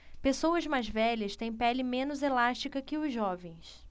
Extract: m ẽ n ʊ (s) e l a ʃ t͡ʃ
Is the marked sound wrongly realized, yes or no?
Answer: yes